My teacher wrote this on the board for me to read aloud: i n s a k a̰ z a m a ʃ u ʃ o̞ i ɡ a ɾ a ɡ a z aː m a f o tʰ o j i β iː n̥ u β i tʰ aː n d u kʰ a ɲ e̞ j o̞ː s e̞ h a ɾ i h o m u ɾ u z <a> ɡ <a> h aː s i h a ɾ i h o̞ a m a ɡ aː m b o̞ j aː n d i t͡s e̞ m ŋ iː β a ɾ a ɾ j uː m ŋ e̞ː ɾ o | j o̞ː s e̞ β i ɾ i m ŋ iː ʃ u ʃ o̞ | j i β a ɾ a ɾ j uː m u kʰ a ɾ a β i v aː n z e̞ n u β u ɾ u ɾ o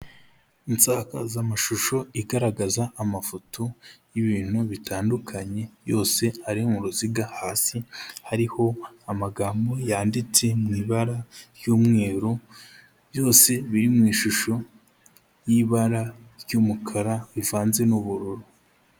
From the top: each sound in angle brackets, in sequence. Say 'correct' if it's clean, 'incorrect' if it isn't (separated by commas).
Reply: incorrect, correct